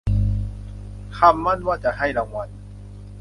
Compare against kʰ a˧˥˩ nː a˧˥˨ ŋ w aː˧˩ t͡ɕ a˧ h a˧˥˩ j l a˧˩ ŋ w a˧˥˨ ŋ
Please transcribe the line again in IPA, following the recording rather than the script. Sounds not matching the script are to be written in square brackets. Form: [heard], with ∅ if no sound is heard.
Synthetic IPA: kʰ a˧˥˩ [mː] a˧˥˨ [n] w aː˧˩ t͡ɕ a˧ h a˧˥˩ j l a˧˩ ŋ w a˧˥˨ [n]